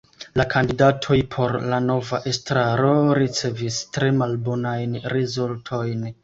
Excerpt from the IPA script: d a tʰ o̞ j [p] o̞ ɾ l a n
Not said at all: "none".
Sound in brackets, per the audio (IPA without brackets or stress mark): pʰ